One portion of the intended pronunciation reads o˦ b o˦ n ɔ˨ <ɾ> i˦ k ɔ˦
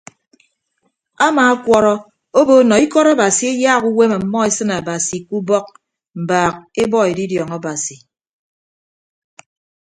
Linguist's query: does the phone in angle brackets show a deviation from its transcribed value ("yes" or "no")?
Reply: yes